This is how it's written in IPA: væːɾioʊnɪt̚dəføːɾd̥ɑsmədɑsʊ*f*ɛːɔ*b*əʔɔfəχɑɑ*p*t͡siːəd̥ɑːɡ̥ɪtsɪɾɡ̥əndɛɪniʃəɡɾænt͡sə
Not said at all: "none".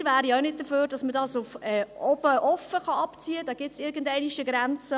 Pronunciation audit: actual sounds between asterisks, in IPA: f, b, p

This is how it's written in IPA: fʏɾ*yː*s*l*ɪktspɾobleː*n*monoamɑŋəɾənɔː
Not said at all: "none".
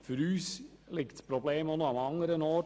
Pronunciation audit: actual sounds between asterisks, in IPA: yː, l, none

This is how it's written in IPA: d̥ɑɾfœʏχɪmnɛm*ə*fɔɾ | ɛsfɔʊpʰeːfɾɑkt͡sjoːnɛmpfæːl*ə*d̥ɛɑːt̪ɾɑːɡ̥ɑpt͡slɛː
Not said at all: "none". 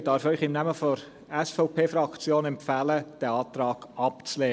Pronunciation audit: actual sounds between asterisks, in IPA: ə, ə

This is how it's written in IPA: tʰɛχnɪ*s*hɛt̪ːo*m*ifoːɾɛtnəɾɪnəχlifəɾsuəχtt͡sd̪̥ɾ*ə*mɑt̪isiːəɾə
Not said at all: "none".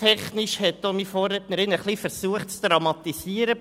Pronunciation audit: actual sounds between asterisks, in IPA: ʃ, m, ɑ

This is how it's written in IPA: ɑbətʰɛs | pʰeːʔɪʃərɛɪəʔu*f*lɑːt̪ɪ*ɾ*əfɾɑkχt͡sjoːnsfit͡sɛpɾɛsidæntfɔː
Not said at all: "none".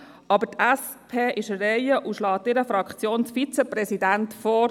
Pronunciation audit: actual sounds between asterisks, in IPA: ʃ, ɾ

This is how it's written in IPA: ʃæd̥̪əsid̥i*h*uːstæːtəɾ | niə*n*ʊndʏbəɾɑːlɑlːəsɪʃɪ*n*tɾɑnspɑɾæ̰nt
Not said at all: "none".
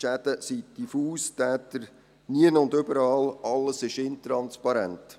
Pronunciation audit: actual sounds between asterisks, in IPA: f, n, n

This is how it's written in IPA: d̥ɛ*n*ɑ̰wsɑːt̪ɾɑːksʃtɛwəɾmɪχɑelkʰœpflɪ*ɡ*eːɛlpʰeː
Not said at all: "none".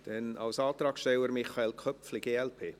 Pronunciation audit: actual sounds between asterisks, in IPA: n, ɡ

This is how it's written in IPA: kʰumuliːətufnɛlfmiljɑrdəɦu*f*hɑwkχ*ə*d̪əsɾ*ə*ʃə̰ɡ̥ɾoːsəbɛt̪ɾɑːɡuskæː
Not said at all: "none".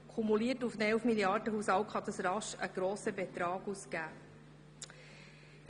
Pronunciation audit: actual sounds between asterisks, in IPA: s, ɑ, ɑ

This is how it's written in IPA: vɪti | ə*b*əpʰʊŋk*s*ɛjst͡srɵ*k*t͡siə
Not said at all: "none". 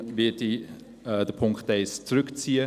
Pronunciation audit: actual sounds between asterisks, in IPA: d, t, k

